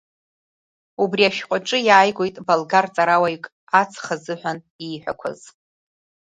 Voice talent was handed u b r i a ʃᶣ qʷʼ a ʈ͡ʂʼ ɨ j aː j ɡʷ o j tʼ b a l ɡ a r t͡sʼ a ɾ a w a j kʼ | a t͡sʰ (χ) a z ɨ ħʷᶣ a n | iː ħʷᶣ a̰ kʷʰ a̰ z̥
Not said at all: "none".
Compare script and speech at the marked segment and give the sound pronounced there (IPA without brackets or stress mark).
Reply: χ